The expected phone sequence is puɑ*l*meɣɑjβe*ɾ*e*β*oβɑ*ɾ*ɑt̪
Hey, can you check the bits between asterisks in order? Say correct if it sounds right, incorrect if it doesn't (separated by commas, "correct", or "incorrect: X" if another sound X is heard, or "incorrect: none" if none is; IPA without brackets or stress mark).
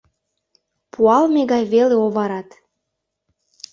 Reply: correct, incorrect: l, incorrect: none, correct